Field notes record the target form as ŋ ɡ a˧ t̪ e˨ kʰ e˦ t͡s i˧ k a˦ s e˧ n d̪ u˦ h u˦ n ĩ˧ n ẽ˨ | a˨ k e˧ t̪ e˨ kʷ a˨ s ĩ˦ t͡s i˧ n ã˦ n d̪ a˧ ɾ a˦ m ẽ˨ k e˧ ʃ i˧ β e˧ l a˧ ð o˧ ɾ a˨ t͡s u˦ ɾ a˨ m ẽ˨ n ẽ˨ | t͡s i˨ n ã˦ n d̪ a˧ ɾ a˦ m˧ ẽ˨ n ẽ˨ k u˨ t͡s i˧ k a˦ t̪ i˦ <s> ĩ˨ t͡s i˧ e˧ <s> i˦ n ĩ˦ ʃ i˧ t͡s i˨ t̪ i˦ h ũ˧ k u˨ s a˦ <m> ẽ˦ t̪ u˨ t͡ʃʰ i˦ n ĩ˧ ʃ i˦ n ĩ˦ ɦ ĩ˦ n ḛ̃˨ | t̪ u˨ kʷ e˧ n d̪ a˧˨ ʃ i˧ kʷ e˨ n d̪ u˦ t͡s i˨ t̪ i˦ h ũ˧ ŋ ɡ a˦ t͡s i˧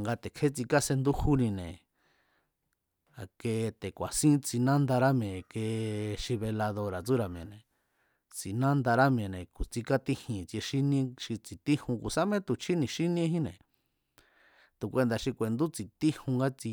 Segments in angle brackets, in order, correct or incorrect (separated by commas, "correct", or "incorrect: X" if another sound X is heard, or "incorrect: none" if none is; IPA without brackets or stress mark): incorrect: h, incorrect: ʃ, correct